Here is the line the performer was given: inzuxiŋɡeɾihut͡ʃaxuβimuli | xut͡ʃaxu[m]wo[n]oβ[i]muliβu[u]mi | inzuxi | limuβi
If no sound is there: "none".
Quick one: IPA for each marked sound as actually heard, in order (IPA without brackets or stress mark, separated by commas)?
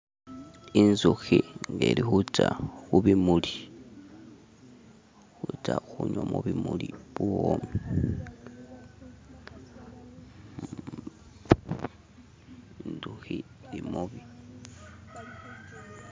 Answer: ɲ, m, i, o